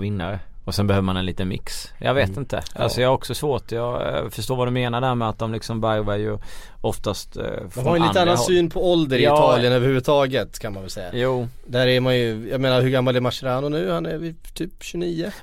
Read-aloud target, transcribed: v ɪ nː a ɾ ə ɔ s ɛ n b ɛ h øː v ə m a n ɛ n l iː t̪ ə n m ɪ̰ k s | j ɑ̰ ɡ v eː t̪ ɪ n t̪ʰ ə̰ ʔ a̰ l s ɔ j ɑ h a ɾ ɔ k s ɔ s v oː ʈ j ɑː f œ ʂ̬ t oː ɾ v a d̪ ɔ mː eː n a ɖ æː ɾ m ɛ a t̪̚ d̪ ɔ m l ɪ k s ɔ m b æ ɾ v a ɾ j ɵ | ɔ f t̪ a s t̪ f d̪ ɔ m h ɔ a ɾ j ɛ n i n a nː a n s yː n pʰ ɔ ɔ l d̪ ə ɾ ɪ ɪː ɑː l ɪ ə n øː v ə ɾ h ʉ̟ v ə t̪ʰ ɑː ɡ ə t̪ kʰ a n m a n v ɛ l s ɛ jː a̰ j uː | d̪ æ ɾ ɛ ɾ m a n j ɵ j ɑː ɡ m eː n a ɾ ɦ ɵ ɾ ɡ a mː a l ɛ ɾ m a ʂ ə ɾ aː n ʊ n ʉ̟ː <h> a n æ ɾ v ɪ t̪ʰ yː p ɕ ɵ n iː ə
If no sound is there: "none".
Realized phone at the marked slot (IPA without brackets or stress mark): h